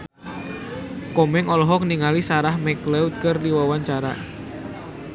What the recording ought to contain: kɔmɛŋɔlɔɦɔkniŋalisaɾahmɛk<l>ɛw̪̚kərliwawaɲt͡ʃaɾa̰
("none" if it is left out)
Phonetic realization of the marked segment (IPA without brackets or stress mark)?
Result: l